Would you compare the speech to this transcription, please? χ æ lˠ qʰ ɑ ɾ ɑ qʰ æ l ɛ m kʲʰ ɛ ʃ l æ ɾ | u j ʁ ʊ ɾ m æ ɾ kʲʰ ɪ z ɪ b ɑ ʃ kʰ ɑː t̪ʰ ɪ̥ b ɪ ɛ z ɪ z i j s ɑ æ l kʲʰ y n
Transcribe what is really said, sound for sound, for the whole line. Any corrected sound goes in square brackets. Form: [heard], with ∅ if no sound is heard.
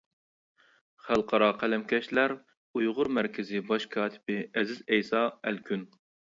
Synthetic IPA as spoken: χ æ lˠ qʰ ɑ ɾ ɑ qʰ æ l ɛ m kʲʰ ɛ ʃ l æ ɾ | u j ʁ ʊ ɾ m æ ɾ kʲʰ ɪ z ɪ b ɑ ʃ kʰ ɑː t̪ʰ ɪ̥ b ɪ ɛ z ɪ z [ɛ] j s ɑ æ l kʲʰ y n